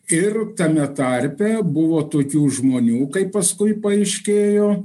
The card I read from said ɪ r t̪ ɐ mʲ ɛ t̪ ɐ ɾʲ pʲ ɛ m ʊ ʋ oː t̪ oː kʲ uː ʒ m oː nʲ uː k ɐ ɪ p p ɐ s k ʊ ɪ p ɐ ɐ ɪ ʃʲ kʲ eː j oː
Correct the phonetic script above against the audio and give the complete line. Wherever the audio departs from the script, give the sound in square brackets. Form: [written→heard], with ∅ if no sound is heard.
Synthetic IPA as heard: ɪ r t̪ ɐ mʲ ɛ t̪ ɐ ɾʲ pʲ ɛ [m→b] ʊ ʋ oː t̪ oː kʲ uː ʒ m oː nʲ uː k ɐ ɪ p p ɐ s k ʊ ɪ p ɐ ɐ ɪ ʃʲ kʲ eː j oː